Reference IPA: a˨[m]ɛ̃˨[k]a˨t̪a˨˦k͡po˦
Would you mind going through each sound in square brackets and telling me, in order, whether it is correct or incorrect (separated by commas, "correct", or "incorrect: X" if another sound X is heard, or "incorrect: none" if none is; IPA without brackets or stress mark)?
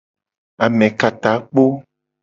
correct, correct